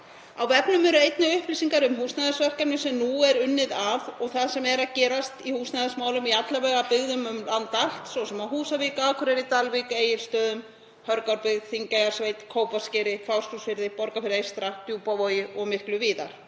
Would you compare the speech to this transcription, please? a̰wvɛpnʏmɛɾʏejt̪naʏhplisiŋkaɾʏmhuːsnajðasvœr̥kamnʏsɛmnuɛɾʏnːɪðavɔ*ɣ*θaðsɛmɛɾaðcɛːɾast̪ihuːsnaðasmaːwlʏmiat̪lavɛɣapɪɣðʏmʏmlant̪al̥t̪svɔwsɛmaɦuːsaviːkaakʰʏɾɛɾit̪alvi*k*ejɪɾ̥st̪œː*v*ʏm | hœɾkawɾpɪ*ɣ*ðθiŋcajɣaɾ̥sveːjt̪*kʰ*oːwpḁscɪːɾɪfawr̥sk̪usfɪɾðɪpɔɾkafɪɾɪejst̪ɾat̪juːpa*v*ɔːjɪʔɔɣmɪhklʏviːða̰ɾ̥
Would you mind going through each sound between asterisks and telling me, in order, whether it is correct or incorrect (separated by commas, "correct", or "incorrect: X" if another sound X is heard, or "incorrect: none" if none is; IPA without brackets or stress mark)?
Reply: correct, correct, incorrect: ð, correct, correct, correct